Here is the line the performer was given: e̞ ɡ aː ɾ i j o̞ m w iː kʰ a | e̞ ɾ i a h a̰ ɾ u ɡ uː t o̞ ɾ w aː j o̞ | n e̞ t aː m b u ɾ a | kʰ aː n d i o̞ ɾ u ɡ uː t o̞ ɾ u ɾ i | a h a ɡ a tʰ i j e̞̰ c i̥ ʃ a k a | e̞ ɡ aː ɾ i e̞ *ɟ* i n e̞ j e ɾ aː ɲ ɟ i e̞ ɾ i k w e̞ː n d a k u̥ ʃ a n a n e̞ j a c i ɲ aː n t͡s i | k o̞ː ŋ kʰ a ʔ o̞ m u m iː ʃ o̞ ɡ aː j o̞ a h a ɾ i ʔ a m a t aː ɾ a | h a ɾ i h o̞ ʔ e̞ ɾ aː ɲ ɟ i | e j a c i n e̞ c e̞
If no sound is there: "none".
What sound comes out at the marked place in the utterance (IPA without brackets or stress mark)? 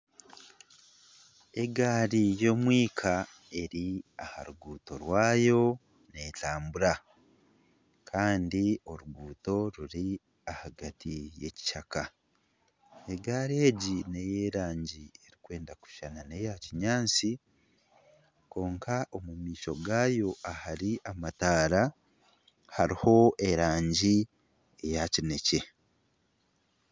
ɟ